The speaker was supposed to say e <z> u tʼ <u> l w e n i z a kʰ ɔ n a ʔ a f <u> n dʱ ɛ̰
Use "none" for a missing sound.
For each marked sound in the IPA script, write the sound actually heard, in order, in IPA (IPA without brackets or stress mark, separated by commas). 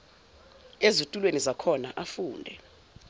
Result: z, u, uː